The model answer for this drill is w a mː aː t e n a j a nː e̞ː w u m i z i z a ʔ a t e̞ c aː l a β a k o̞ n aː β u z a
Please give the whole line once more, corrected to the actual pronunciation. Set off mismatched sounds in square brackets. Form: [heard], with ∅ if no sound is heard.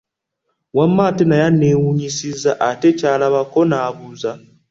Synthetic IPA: w a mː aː t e n a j a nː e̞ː w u [ɲ] i [s] i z a ʔ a t e̞ c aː l a β a k o̞ n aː β u z a